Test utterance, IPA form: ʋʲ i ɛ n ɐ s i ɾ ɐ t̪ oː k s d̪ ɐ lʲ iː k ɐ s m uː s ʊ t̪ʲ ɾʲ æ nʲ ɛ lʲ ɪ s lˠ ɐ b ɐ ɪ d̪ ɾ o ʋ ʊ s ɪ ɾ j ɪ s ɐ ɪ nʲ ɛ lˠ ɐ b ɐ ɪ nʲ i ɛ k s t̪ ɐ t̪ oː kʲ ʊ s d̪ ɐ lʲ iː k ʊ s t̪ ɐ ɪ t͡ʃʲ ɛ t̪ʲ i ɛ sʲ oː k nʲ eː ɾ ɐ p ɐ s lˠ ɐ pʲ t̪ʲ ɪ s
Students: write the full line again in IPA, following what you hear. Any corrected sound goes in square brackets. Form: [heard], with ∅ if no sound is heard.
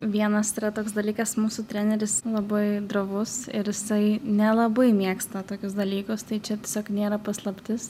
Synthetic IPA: ʋʲ i ɛ n ɐ s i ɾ ɐ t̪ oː k s d̪ ɐ lʲ iː k ɐ s m uː s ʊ t̪ʲ ɾʲ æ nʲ ɛ [ɾʲ] ɪ s lˠ ɐ b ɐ ɪ d̪ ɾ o ʋ ʊ s ɪ ɾ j ɪ s ɐ ɪ nʲ ɛ lˠ ɐ b ɐ ɪ [mʲ] i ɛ k s t̪ ɐ t̪ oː kʲ ʊ s d̪ ɐ lʲ iː k ʊ s t̪ ɐ ɪ t͡ʃʲ ɛ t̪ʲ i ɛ sʲ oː k nʲ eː ɾ ɐ p ɐ s lˠ ɐ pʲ t̪ʲ ɪ s

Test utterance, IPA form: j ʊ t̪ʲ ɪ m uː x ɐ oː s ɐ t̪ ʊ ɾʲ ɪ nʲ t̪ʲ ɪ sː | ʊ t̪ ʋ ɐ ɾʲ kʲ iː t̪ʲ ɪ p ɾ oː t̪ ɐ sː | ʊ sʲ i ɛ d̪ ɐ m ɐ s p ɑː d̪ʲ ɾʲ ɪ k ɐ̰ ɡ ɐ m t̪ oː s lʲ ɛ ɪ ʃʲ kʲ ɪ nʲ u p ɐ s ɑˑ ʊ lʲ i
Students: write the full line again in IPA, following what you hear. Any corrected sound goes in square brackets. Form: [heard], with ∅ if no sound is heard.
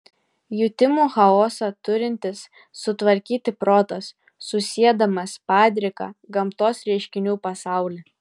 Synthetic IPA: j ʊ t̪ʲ ɪ m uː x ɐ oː s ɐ t̪ ʊ ɾʲ ɪ nʲ t̪ʲ ɪ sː | ʊ t̪ ʋ ɐ ɾʲ kʲ iː t̪ʲ ɪ p ɾ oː t̪ ɐ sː | ʊ sʲ i ɛ d̪ ɐ m ɐ s p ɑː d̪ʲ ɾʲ ɪ k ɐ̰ ɡ ɐ m t̪ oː s [ɾʲ] ɛ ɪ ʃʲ kʲ ɪ nʲ [uː] p ɐ s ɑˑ ʊ lʲ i

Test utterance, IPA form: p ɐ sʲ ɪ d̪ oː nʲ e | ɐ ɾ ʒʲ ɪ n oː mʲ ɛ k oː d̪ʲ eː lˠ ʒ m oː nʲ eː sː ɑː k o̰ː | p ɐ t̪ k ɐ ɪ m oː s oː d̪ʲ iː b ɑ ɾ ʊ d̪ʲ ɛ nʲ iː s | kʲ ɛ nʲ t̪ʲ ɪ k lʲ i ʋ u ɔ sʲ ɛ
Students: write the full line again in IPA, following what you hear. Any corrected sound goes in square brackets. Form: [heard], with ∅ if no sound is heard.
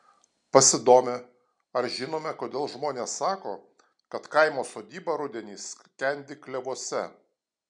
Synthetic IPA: p ɐ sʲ ɪ d̪ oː [mʲ] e | ɐ ɾ ʒʲ ɪ n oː mʲ ɛ k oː d̪ʲ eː lˠ ʒ m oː nʲ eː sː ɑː k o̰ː | [k] ɐ t̪ k ɐ ɪ m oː s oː d̪ʲ iː b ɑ ɾ ʊ d̪ʲ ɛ nʲ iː s | kʲ ɛ nʲ [d̪ʲ] ɪ k lʲ [ɛ] ʋ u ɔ sʲ ɛ

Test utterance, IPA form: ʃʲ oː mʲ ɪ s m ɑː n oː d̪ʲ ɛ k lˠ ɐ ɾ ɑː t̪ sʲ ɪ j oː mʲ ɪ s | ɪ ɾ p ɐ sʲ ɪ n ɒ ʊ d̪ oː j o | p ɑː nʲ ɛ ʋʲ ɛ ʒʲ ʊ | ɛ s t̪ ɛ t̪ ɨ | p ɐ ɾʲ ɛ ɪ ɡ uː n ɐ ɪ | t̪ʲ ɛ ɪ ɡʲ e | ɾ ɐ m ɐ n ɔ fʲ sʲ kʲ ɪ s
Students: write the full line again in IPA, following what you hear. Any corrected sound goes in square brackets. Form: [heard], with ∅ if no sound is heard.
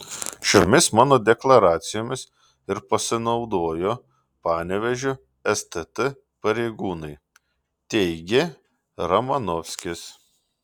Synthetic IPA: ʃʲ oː mʲ ɪ s m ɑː n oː d̪ʲ ɛ k lˠ ɐ ɾ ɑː t̪ sʲ ɪ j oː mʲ ɪ s | ɪ ɾ p ɐ sʲ ɪ n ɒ ʊ d̪ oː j o | p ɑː nʲ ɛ ʋʲ ɛ ʒʲ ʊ | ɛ s t̪ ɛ t̪ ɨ | p ɐ ɾʲ ɛ ɪ ɡ uː n ɐ ɪ | t̪ʲ ɛ ɪ ɡʲ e | ɾ ɐ m ɐ n ɔ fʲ sʲ kʲ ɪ s

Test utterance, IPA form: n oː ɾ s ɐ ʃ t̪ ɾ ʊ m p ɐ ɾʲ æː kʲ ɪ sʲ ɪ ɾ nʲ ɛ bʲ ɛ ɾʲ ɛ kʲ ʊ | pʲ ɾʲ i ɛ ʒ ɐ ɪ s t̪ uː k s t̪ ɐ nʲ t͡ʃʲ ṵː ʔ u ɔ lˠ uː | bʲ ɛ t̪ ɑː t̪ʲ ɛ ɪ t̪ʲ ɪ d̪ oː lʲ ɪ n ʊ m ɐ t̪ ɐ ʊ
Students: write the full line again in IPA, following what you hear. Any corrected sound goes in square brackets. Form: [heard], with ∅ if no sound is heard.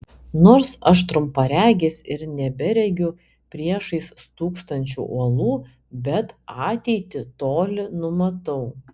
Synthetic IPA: n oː ɾ s ɐ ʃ t̪ ɾ ʊ m p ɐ ɾʲ æː [ɡʲ] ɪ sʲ ɪ ɾ nʲ ɛ bʲ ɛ ɾʲ ɛ [ɡʲ] ʊ | pʲ ɾʲ i ɛ [ʃ] ɐ ɪ s t̪ uː k s t̪ ɐ nʲ t͡ʃʲ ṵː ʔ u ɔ lˠ uː | bʲ ɛ t̪ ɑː t̪ʲ ɛ ɪ t̪ʲ ɪ [t̪] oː lʲ ɪ n ʊ m ɐ t̪ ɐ ʊ

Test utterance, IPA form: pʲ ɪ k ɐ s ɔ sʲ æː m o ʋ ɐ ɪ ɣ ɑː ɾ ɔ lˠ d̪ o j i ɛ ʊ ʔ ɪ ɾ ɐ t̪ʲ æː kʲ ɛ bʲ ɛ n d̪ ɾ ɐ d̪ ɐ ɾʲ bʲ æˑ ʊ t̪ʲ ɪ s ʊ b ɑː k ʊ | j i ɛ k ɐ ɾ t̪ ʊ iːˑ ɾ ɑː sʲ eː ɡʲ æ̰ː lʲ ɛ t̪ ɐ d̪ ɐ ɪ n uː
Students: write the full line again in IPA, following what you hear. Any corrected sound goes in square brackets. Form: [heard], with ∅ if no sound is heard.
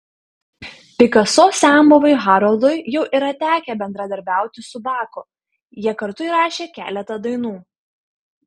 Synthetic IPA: pʲ ɪ k ɐ s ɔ sʲ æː m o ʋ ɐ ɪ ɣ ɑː ɾ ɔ lˠ d̪ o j [j] ɛ ʊ ʔ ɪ ɾ ɐ t̪ʲ æː kʲ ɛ bʲ ɛ n d̪ ɾ ɐ d̪ ɐ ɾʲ bʲ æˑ ʊ t̪ʲ ɪ s ʊ b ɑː k ʊ | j i ɛ k ɐ ɾ t̪ ʊ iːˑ ɾ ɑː [ʃʲ] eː [kʲ] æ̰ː lʲ ɛ t̪ ɐ d̪ ɐ ɪ n uː

